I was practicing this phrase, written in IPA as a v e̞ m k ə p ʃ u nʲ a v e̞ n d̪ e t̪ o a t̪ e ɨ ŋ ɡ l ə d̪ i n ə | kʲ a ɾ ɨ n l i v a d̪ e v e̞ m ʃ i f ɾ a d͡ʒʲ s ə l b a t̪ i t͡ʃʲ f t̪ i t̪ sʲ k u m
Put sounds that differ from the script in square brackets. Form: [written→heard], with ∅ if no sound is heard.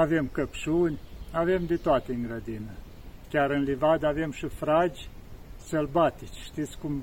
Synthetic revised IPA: a v e̞ m k ə p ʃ u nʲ a v e̞ [n→m] d̪ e t̪ o a t̪ e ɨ ŋ ɡ [l→ɾ] ə d̪ i n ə | kʲ a ɾ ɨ n l i v a d̪ [e→a] v e̞ m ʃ i f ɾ a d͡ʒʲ s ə l b a t̪ i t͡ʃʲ [f→ʃ] t̪ i t̪ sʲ k u m